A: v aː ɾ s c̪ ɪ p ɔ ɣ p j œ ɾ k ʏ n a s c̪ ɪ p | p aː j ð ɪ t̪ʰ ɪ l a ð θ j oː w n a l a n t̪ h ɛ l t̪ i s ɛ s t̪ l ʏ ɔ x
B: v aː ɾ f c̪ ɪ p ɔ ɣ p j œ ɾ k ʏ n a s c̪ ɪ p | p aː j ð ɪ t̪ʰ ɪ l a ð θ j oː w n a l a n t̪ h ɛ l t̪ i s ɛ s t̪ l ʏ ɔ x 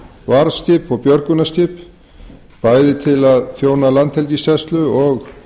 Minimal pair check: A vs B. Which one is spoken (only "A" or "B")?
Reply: A